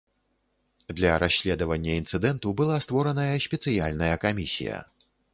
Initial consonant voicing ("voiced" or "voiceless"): voiced